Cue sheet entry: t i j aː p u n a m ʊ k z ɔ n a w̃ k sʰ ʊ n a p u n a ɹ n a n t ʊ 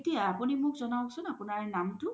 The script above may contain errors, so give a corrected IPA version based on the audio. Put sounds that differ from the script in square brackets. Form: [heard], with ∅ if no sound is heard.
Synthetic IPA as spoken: t i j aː p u n [i] m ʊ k z ɔ n a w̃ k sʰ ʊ n a p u n a ɹ n a [m] t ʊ